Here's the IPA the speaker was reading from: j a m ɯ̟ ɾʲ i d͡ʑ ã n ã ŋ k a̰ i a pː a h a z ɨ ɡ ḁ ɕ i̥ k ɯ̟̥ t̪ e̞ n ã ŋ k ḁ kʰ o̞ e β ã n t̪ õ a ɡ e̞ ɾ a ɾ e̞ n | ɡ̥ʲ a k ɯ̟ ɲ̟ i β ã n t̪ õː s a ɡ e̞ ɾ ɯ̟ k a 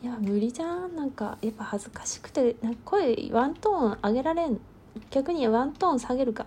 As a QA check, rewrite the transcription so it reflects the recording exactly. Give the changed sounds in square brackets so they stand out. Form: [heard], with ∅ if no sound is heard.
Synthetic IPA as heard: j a m ɯ̟ ɾʲ i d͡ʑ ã n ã ŋ k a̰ [j] a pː a h a z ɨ [k] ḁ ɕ i̥ k ɯ̟̥ t̪ e̞ n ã ŋ k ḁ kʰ o̞ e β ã n t̪ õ a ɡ e̞ ɾ a ɾ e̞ n | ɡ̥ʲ a k ɯ̟ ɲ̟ i β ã n t̪ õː s a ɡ e̞ ɾ ɯ̟ k a